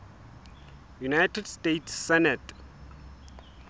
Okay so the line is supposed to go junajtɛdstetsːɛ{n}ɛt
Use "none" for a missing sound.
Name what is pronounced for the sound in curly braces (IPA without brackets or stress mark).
n